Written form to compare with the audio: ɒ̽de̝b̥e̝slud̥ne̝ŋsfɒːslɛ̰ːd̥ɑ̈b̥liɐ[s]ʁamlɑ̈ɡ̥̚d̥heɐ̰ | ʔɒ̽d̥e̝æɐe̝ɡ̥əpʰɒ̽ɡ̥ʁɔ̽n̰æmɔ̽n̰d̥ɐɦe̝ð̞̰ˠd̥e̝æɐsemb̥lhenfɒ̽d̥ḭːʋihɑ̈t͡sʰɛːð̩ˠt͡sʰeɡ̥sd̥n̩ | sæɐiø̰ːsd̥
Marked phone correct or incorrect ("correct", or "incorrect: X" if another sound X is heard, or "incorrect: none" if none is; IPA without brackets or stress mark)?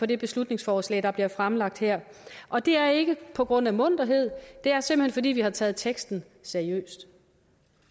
incorrect: f